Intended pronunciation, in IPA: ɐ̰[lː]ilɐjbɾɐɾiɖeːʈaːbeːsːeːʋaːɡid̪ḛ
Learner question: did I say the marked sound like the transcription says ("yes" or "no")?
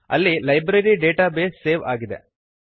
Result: yes